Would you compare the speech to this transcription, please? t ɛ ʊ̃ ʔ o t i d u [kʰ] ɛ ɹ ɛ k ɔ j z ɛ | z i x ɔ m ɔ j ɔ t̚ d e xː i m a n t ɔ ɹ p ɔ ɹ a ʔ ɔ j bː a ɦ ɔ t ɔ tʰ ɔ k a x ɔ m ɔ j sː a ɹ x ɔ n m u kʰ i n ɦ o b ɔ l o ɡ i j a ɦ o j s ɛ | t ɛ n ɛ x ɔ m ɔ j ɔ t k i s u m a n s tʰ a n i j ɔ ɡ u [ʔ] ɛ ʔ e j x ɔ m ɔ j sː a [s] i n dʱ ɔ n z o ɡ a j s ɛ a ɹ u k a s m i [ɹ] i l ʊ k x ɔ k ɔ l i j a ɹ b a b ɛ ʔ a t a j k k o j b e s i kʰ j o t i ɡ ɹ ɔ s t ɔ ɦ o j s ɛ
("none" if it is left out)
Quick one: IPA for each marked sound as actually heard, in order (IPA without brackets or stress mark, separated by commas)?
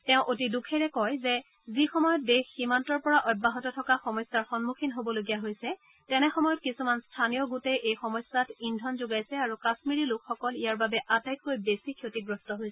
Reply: kʰ, t, t, ɹ